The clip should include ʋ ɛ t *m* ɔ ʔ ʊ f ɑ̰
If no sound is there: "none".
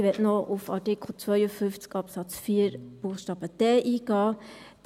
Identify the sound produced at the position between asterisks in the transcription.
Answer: n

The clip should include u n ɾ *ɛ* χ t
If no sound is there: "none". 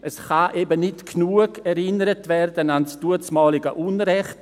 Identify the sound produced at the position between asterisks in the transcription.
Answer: ɛ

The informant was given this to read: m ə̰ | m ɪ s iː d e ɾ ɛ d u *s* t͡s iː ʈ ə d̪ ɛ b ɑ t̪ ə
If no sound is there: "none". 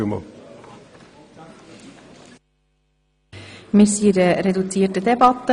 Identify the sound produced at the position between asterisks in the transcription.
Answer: none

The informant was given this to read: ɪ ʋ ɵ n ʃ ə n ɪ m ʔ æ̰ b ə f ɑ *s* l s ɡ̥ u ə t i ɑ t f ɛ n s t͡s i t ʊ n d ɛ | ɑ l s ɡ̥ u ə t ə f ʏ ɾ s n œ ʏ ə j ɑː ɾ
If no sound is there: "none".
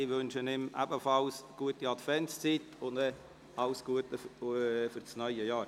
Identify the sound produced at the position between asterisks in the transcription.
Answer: none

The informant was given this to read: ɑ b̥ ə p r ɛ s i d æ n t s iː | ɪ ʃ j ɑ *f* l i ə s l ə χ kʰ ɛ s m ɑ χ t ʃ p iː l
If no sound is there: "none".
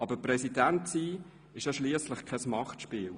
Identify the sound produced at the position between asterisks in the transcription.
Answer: ʃ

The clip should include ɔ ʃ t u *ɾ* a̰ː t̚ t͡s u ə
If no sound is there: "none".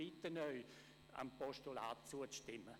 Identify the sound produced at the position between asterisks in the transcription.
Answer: l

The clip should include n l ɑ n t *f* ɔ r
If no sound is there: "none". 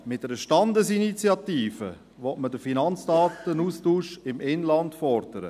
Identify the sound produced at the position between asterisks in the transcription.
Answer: f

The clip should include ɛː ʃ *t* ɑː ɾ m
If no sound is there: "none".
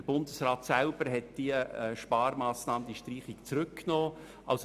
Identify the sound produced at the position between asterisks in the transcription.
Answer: p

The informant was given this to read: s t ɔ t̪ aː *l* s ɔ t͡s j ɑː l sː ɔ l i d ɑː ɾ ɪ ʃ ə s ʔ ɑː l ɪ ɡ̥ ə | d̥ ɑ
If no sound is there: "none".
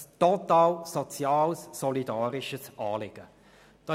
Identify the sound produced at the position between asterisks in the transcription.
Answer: l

